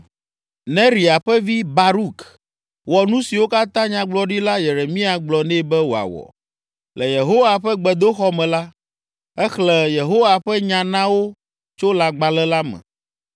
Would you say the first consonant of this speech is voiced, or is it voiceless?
voiced